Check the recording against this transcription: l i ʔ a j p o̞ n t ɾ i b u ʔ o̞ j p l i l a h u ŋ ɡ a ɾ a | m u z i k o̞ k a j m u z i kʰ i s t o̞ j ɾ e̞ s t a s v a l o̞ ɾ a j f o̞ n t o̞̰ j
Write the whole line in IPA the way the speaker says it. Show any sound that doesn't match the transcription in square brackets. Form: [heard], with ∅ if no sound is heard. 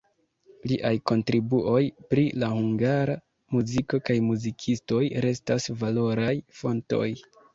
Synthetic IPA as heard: l i ʔ a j [k] o̞ n t ɾ i b u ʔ o̞ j p [ɾ] i l a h u ŋ ɡ a ɾ a | m u z i k o̞ k a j m u z i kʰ i s t o̞ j ɾ e̞ s t a s v a l o̞ ɾ a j f o̞ n t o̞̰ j